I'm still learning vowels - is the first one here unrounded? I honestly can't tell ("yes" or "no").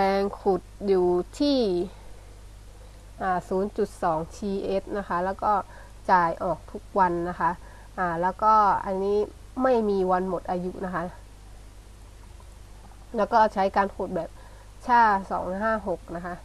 yes